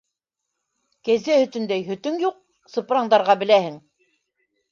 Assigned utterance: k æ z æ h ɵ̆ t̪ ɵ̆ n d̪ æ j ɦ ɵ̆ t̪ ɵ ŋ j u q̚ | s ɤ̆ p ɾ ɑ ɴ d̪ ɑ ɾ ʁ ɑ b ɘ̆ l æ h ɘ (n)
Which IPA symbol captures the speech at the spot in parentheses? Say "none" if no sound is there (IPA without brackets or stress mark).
ŋ